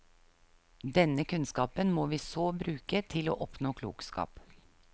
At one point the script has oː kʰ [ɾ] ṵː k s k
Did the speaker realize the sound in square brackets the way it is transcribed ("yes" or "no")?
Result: no